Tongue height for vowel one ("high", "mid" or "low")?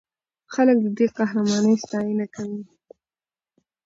low